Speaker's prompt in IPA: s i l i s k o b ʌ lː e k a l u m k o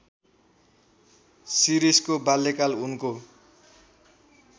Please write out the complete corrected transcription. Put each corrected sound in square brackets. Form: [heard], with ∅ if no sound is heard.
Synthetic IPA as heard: s i [ɾ] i s k o b [a] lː e k a l u [n] k o